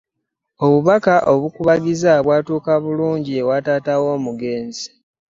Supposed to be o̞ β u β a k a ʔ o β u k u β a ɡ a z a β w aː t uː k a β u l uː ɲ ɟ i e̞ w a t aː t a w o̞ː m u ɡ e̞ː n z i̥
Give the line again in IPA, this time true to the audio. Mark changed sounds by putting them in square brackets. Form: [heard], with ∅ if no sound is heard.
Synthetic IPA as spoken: o̞ β u β a k a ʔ o β u k u β a ɡ [i] z a β w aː t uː k a β u l uː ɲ ɟ i e̞ w a t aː t a w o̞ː m u ɡ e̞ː n z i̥